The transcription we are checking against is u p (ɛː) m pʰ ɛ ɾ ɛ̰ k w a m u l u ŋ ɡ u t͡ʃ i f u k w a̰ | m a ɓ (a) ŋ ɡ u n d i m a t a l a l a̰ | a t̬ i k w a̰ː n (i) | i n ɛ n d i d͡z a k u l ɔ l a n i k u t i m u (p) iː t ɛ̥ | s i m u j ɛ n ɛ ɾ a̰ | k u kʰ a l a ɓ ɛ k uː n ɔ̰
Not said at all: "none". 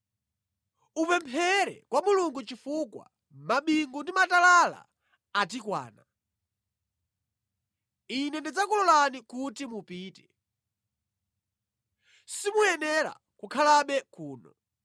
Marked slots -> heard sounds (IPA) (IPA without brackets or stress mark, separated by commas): ɛ, i, a, p